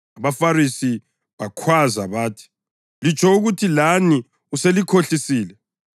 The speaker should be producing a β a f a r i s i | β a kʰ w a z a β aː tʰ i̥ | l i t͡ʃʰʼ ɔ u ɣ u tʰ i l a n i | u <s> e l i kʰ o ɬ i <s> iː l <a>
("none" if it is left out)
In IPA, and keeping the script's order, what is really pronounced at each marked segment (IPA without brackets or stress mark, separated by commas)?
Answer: s, s, ɛ